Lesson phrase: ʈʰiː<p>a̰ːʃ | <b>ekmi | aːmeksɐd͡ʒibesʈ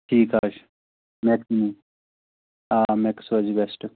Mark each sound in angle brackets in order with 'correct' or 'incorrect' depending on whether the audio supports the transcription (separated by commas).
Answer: incorrect, incorrect